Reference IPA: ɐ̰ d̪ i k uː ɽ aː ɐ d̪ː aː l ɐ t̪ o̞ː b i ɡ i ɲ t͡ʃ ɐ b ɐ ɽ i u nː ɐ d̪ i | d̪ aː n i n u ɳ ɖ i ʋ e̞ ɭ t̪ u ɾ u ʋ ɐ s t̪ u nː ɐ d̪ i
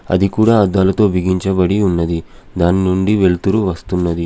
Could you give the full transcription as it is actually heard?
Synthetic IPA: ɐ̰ d̪ i k uː ɽ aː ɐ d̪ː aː l ɐ t̪ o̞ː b i ɡ i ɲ t͡ʃ ɐ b ɐ ɽ i u nː ɐ d̪ i | d̪ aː n i n u ɳ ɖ i ʋ e̞ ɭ t̪ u ɾ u ʋ ɐ s t̪ u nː ɐ d̪ i